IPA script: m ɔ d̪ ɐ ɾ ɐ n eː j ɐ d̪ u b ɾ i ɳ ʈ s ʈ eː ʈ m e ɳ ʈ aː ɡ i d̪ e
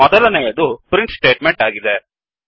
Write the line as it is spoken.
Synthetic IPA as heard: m ɔ d̪ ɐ l ɐ n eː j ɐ d̪ u p ɾ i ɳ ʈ s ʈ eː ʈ m e ɳ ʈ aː ɡ i d̪ e

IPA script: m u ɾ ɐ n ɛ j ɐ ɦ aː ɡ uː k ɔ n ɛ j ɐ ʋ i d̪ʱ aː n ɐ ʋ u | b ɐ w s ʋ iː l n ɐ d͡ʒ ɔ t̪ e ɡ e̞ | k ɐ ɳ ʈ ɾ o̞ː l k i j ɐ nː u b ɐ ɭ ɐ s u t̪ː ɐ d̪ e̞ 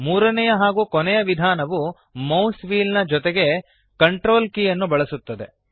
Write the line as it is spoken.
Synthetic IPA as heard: m uː ɾ ɐ n ɛ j ɐ ɦ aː ɡ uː k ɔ n ɛ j ɐ ʋ i d̪ʱ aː n ɐ ʋ u | m ɐ w s ʋ iː l n ɐ d͡ʒ ɔ t̪ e ɡ e̞ | k ɐ ɳ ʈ ɾ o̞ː l k i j ɐ nː u b ɐ ɭ ɐ s u t̪ː ɐ d̪ e̞

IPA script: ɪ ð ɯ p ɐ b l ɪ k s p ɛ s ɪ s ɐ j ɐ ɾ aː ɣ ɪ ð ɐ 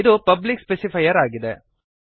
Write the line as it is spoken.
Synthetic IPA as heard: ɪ ð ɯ p ɐ b l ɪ k s p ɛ s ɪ f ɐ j ɐ ɾ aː ɣ ɪ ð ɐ

